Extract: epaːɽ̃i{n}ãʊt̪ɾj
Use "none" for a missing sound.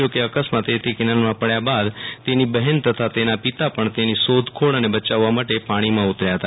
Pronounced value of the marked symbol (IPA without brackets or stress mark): m